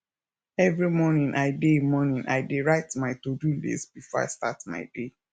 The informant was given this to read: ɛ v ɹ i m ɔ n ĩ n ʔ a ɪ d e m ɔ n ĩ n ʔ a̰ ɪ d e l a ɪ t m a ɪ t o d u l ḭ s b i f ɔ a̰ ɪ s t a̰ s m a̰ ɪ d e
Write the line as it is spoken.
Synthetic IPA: ɛ v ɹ i m ɔ n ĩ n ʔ a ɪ d e m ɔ n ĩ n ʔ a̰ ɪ d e ɹ a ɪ t m a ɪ t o d u l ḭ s b i f ɔ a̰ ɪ s t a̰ t m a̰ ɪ d e